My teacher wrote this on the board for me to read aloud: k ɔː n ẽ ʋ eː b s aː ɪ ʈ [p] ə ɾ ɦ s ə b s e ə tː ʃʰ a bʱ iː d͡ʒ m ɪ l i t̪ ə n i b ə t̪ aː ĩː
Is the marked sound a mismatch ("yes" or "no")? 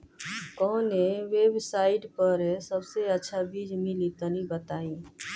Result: no